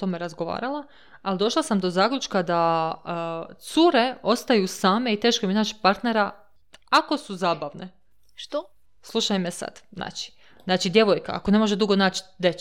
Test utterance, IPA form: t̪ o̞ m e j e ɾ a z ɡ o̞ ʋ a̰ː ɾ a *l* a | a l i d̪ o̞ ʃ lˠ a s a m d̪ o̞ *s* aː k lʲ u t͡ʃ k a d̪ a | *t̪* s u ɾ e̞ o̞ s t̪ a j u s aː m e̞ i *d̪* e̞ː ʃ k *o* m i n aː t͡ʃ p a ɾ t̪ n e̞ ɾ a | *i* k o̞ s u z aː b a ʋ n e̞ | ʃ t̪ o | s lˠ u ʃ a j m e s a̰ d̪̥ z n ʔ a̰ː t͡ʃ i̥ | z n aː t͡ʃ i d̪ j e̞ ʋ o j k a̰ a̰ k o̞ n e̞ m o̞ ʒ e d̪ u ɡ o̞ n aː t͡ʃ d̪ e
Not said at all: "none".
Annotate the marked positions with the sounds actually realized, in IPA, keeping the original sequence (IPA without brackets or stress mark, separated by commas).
l, z, t̪, t̪, o, a